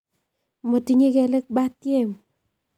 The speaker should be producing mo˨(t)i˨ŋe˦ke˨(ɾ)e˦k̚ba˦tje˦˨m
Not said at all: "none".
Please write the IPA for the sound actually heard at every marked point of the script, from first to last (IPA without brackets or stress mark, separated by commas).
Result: t, l